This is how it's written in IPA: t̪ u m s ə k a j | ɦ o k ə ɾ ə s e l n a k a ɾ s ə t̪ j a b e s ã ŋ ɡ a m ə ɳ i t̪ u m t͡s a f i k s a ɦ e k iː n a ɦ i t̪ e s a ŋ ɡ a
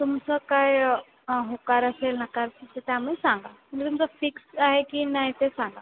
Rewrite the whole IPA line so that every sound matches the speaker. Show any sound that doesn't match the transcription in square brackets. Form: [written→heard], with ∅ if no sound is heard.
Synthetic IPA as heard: t̪ u m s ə k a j | ɦ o k [ə→a] ɾ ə s e l n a k a ɾ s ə t̪ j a [b→m] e s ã ŋ ɡ a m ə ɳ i t̪ u m t͡s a f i k s a ɦ e k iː n a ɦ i t̪ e s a ŋ ɡ a